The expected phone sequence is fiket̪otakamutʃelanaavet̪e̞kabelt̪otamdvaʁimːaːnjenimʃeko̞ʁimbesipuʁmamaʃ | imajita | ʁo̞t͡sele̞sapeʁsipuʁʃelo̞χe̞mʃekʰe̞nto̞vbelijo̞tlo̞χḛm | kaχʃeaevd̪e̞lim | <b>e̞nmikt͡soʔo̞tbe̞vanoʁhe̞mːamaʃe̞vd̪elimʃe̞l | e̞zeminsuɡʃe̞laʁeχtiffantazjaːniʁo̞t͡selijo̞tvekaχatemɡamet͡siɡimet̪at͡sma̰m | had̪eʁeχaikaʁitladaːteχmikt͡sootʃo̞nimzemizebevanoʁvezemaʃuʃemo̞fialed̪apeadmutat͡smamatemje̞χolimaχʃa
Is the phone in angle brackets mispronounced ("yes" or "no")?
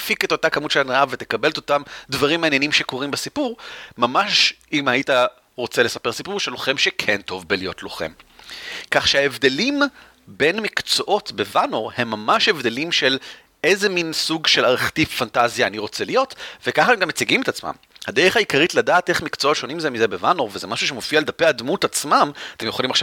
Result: no